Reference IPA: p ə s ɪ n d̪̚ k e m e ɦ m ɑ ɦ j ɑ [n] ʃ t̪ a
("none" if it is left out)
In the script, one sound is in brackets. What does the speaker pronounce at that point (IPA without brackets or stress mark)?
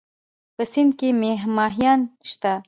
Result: n